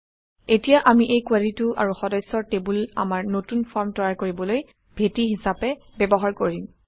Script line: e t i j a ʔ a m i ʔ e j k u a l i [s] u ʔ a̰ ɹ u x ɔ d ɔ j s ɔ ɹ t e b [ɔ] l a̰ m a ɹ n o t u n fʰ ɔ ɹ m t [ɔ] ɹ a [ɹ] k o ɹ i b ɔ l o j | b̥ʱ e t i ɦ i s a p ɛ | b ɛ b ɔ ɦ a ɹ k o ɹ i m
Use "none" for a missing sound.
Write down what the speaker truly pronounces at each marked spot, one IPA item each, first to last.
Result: t, u, ɔ, ɹ

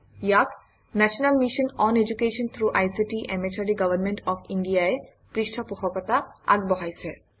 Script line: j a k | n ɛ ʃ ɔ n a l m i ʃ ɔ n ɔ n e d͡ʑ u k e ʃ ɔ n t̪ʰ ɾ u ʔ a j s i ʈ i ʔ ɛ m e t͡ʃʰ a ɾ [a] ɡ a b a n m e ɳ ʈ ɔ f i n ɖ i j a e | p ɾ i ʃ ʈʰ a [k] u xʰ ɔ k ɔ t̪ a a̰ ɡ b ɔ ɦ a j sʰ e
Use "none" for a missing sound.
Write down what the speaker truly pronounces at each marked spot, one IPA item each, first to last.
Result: i, p

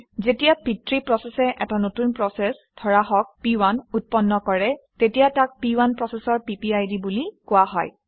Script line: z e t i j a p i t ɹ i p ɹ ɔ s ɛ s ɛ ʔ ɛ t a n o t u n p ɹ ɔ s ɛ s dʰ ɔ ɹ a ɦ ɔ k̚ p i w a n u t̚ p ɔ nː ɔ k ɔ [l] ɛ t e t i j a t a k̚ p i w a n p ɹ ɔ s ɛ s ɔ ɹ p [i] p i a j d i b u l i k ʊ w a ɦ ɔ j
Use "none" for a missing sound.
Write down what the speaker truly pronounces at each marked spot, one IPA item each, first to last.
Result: ɹ, i

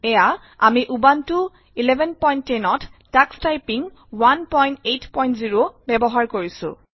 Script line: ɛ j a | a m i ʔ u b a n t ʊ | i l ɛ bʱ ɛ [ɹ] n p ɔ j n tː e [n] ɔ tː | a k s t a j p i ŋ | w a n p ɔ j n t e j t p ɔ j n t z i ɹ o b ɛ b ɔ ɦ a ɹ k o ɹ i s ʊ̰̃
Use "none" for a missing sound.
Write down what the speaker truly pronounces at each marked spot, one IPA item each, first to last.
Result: none, n

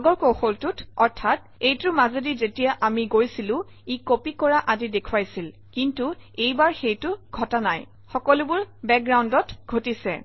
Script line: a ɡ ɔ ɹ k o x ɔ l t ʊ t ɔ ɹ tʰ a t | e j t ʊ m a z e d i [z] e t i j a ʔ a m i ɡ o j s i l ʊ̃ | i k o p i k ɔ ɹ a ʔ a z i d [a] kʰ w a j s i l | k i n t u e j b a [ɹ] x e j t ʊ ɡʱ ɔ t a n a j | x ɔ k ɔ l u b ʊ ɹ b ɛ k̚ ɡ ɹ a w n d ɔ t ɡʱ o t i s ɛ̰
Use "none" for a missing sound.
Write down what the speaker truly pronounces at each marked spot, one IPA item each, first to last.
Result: z, e, ɹ

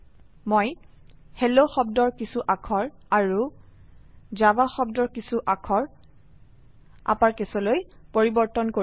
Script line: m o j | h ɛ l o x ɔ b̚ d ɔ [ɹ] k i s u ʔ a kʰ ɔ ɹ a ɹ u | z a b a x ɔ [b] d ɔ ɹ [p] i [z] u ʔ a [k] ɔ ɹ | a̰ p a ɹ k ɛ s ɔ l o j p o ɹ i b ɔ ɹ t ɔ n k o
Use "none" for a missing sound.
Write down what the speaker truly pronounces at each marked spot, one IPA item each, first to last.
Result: ɹ, b, k, s, kʰ

